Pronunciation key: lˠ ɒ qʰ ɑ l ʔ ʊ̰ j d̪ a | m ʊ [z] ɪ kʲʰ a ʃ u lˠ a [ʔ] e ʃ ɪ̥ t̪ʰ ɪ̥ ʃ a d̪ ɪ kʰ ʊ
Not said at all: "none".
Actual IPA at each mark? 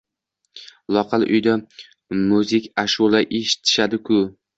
z, ʔ

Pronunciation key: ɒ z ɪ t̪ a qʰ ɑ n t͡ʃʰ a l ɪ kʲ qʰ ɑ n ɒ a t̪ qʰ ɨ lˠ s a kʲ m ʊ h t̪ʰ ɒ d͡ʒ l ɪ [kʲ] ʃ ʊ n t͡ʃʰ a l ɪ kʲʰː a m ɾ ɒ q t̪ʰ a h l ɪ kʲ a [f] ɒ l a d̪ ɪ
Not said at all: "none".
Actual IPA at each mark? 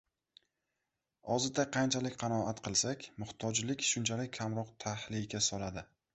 kʲ, s

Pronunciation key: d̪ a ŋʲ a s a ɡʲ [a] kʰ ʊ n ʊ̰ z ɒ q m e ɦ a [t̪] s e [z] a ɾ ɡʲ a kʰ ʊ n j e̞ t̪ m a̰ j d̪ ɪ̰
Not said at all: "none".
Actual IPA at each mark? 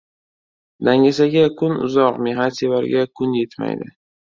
a, t̪, v

